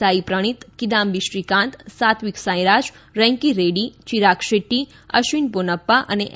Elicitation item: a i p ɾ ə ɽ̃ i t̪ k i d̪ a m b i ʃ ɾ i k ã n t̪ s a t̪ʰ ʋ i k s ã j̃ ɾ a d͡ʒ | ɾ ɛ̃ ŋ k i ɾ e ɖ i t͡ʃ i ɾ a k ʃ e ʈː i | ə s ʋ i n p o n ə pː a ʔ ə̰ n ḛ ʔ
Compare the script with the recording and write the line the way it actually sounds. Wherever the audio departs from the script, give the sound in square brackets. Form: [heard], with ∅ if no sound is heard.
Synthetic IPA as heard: a i p ɾ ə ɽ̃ i t̪ k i d̪ a m b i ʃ ɾ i k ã n t̪ s a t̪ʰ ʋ i k s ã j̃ ɾ a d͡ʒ | ɾ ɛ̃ ŋ k i ɾ e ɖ i t͡ʃ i ɾ a k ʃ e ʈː i | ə [ʃ] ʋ i n p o n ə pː a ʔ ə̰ n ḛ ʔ